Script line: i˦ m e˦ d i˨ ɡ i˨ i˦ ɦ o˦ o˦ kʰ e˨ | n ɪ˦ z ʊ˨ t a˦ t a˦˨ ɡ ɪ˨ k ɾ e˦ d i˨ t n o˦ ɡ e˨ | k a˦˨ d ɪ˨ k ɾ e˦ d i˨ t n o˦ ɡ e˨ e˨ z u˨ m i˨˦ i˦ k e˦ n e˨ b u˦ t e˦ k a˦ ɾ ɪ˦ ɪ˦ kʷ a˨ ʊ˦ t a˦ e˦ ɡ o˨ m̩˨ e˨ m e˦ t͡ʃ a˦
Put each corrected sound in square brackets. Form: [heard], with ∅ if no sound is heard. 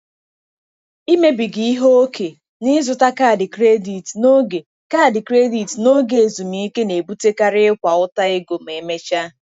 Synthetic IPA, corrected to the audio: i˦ m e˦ [b] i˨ ɡ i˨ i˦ ɦ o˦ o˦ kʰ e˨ | n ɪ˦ z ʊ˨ t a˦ [k] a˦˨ [d] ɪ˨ k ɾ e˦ d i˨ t n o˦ ɡ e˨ | k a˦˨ d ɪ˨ k ɾ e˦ d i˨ t n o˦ ɡ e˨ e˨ z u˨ m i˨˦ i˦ k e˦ n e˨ b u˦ t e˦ k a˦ ɾ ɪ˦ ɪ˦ kʷ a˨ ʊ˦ t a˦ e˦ ɡ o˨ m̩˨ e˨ m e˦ t͡ʃ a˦